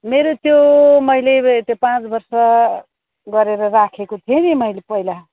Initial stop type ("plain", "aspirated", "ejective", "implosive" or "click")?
plain